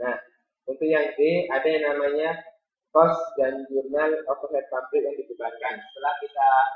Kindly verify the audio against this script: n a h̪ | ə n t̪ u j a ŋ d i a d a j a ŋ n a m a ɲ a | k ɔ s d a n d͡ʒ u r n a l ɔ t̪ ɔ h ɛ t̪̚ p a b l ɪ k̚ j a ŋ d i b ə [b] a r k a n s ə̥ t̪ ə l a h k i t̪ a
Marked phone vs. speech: correct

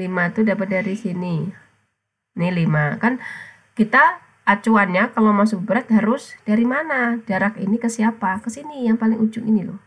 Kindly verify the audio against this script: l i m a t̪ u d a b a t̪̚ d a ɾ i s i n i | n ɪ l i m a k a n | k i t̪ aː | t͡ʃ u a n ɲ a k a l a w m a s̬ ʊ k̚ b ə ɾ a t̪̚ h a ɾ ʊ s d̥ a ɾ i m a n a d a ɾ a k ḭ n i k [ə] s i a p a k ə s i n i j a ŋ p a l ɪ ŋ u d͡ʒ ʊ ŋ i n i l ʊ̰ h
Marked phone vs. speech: correct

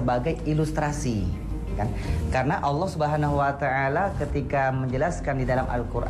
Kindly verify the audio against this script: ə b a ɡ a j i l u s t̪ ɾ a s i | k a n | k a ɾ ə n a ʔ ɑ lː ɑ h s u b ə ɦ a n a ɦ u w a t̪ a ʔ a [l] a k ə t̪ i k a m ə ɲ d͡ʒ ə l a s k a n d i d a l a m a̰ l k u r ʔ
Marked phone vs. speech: correct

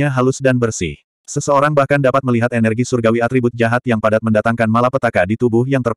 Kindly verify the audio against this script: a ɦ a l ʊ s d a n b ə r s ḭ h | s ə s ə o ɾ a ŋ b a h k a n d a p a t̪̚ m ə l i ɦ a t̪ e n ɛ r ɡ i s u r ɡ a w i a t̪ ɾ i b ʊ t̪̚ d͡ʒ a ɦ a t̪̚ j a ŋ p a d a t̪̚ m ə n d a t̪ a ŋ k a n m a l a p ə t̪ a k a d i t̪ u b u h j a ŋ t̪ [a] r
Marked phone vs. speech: incorrect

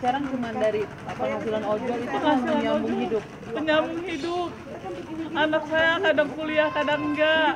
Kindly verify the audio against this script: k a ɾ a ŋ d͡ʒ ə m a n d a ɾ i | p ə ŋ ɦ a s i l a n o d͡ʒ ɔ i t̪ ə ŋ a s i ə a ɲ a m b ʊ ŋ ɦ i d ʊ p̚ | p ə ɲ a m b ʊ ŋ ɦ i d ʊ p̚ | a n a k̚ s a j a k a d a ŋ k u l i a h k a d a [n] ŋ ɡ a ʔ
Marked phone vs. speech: incorrect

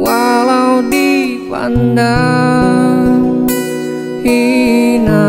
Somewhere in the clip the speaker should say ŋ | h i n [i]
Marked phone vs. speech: incorrect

